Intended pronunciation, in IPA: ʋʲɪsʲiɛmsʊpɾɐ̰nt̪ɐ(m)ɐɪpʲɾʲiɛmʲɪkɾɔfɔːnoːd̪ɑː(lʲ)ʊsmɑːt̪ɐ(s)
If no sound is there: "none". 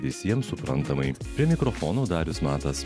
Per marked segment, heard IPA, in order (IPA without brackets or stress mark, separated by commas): m, ɾʲ, s